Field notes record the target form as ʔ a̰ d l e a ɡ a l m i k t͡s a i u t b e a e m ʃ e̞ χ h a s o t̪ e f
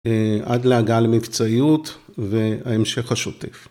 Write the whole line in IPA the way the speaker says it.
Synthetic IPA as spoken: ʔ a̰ d l e a ɡ a l m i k t͡s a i u t v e a e m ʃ e̞ χ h a ʃ o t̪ e f